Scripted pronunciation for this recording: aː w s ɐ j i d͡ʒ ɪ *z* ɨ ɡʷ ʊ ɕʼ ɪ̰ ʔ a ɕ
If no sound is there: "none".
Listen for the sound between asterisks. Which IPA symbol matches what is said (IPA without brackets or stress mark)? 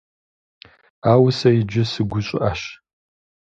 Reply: s